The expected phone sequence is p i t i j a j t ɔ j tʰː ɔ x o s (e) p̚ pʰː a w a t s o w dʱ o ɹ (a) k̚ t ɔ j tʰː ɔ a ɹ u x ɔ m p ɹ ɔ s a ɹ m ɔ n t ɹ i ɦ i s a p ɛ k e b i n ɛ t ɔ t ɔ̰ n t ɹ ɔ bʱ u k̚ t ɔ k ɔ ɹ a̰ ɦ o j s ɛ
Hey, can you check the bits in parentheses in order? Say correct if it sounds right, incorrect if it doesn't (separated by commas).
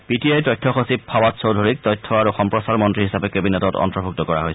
incorrect, incorrect